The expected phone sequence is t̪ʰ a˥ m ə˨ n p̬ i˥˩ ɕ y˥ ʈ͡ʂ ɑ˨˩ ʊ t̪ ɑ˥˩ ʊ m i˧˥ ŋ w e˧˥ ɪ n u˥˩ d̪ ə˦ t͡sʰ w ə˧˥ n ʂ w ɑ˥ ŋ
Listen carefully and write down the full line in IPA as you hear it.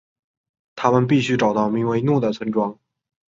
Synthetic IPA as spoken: t̪ʰ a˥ m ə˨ n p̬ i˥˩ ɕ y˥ ʈ͡ʂ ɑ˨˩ ʊ t̪ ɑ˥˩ ʊ m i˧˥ ŋ w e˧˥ ɪ n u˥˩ d̪ ə˩ t͡sʰ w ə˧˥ n ʈ͡ʂ w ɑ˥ ŋ